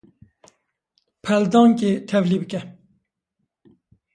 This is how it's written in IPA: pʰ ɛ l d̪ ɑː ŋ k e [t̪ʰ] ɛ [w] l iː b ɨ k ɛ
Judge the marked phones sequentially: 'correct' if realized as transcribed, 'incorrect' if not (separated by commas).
correct, incorrect